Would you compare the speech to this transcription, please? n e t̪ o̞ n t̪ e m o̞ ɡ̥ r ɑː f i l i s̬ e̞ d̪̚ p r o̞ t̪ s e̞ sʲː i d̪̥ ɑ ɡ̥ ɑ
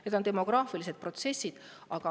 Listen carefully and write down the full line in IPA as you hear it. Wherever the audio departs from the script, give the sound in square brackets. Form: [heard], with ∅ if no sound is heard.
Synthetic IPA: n e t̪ o̞ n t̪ e m o̞ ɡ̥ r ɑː f i l i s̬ e̞ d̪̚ p r o̞ t̪ s e̞ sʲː i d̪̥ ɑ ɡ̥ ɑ